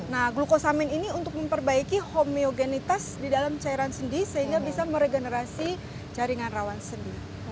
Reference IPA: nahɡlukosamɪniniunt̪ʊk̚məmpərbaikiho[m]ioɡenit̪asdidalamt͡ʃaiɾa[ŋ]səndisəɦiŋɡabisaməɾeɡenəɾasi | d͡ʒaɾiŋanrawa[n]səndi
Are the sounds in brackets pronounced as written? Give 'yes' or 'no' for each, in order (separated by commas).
yes, no, yes